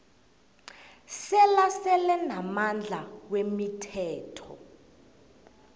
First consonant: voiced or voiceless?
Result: voiceless